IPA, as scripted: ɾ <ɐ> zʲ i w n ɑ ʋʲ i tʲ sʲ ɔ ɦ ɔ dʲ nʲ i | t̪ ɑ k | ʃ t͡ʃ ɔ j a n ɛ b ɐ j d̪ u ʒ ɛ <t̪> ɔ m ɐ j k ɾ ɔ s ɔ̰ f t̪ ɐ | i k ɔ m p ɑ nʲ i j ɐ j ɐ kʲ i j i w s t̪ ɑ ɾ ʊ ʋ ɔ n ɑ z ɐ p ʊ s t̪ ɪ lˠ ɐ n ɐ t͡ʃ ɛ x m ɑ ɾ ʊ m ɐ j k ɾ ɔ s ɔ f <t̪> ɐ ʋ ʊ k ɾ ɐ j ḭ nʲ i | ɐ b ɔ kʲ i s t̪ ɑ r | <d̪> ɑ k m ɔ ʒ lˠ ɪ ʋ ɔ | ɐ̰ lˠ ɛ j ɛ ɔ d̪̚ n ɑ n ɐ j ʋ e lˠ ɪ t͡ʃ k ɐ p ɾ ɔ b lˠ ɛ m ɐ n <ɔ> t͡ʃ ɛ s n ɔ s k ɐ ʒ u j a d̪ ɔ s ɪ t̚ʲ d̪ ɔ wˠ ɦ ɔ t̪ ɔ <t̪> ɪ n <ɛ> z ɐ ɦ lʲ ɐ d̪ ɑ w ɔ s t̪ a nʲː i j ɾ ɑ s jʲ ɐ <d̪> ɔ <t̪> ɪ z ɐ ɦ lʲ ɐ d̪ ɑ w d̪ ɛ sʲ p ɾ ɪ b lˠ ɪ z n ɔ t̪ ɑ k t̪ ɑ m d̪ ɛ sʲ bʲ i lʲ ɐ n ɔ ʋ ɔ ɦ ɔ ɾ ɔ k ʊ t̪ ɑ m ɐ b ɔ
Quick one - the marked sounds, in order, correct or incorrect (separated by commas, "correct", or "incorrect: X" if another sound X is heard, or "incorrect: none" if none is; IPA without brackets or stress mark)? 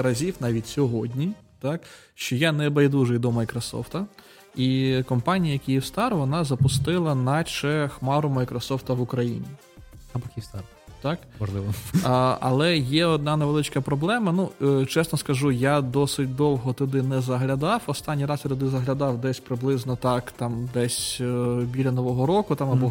correct, incorrect: d̪, correct, incorrect: t̪, incorrect: u, incorrect: d̪, correct, incorrect: t̪, incorrect: d̪